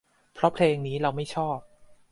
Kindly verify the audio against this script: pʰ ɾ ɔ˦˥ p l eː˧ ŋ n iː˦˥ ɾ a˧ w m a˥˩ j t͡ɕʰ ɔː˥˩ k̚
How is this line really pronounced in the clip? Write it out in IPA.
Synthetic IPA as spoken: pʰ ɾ ɔ˦˥ pʰ l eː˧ ŋ n iː˦˥ ɾ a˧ w m a˥˩ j t͡ɕʰ ɔː˥˩ p̚